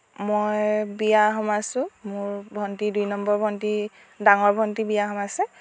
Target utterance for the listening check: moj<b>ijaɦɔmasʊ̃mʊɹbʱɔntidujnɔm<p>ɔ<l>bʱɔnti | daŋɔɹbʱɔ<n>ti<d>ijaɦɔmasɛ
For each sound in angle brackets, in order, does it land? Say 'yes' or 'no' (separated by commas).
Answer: yes, no, no, yes, no